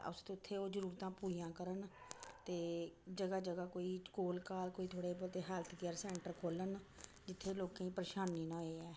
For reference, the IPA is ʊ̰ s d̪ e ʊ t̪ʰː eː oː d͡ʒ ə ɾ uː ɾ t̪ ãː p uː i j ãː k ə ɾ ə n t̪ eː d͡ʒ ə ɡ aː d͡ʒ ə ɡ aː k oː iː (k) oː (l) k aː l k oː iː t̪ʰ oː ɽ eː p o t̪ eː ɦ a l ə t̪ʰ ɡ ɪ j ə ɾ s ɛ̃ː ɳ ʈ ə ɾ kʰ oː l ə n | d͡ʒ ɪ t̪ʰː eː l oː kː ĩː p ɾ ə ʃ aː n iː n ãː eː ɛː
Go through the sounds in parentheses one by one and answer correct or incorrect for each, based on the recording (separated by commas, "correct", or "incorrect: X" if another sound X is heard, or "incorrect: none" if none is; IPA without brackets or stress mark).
correct, correct